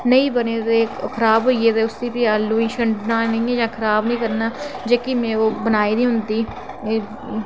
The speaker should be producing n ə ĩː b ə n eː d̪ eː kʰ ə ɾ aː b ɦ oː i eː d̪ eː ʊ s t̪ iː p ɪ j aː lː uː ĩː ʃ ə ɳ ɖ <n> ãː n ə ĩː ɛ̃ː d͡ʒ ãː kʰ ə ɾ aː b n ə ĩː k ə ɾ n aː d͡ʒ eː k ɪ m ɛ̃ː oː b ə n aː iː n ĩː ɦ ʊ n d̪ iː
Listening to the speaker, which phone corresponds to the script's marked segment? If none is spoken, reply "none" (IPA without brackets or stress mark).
n